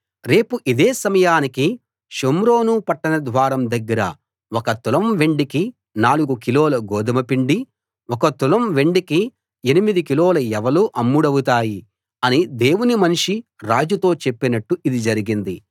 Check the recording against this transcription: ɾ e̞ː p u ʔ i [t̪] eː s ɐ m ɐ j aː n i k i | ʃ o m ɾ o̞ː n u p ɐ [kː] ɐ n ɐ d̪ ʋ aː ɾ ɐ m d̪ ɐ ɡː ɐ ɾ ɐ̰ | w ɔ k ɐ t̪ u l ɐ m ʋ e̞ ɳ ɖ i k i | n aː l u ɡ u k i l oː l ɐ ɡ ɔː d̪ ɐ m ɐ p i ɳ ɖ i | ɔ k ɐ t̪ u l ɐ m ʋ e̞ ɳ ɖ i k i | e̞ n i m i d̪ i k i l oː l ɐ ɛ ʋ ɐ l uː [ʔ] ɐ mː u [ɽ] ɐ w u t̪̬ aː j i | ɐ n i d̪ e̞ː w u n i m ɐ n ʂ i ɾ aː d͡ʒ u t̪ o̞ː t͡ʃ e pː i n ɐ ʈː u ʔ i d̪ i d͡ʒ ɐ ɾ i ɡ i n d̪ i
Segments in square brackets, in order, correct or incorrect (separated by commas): incorrect, incorrect, correct, correct